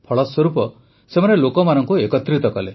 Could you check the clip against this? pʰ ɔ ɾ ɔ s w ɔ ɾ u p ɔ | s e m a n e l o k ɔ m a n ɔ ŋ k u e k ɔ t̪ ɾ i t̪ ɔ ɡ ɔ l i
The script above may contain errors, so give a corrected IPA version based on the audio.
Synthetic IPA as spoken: pʰ ɔ ɭ ɔ s w ɔ ɾ u p ɔ | s e m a n e l o k ɔ m a n ɔ ŋ k u e k ɔ t̪ ɾ i t̪ ɔ k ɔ l e